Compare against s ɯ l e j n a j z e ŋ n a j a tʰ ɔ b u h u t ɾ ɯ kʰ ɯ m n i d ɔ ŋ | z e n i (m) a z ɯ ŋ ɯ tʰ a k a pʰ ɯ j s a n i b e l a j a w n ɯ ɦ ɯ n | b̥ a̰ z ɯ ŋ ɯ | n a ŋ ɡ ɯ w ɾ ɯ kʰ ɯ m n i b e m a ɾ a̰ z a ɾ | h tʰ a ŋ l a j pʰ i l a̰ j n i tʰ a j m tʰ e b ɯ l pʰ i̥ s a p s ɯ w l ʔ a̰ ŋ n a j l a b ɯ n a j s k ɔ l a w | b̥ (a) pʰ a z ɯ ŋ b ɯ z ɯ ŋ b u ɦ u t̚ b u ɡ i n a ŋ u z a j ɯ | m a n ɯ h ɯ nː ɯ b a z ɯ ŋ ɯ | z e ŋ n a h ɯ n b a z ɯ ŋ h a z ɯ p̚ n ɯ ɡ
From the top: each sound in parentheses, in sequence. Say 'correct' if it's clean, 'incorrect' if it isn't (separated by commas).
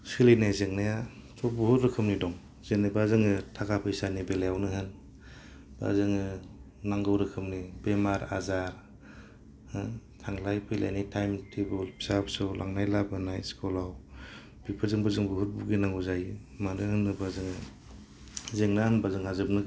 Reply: incorrect, incorrect